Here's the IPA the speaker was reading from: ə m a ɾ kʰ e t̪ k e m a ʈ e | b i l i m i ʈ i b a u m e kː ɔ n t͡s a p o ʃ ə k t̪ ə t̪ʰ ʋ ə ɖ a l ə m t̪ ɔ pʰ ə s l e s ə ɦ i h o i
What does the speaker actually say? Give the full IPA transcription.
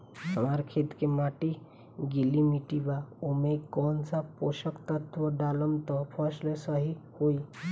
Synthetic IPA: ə m a ɾ kʰ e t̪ k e m a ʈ i | ɡ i l i m i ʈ i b a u m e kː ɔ n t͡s a p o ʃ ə k t̪ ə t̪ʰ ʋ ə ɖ a l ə m t̪ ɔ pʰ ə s l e s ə ɦ i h o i